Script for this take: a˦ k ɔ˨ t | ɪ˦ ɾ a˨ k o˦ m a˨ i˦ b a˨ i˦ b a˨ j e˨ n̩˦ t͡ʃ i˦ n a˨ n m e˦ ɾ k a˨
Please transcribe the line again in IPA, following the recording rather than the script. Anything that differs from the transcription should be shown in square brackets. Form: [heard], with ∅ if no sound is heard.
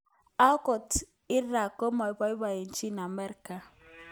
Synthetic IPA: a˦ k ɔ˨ t | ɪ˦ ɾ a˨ k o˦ m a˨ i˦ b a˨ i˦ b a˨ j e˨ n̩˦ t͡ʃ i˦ n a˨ [∅] m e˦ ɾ k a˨